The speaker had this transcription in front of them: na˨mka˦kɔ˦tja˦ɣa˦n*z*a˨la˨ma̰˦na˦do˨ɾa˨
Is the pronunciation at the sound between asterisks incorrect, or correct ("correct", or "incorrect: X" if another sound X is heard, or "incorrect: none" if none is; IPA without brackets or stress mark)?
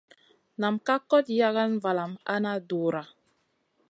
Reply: incorrect: v